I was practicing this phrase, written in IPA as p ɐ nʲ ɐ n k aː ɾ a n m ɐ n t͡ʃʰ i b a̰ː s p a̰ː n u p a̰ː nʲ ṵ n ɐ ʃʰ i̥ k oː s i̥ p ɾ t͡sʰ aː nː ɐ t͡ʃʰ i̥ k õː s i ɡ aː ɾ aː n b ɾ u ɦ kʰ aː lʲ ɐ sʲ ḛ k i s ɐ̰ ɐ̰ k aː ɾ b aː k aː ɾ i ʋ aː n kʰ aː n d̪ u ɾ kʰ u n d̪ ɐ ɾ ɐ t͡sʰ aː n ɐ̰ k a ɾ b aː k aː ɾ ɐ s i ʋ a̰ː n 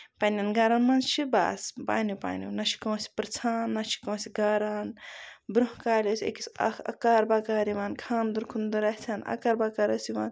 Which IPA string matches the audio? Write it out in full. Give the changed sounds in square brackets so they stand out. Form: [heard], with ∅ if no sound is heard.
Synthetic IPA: p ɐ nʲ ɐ n [ɡ] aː ɾ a n m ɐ n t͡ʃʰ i b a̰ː s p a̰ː n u p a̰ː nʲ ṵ n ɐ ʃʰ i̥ k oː s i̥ p ɾ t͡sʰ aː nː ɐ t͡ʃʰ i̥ k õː s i ɡ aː ɾ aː n b ɾ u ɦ [k] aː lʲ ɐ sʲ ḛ k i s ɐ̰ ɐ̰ k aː ɾ b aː k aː ɾ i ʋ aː n kʰ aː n d̪ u ɾ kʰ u n d̪ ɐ ɾ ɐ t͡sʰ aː n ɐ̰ k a ɾ b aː k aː ɾ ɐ s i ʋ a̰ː n